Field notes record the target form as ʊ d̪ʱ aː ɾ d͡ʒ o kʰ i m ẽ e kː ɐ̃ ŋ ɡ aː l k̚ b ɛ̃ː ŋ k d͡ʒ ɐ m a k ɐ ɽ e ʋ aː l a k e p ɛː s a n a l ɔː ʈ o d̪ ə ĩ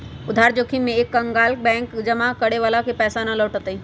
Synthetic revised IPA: ʊ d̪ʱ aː ɾ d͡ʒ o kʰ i m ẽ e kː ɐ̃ ŋ ɡ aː l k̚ b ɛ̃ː ŋ k d͡ʒ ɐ m a k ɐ ɽ e ʋ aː l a k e p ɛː s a n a l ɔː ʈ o t̪ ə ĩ